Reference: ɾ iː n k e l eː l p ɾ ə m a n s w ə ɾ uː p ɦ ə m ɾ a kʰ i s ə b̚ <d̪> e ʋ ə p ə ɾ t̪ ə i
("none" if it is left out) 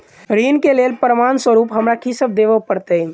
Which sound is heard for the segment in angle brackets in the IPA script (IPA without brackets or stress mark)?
d̪